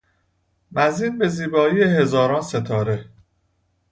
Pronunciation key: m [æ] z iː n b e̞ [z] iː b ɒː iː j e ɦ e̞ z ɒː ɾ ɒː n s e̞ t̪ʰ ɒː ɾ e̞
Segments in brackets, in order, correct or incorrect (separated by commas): correct, correct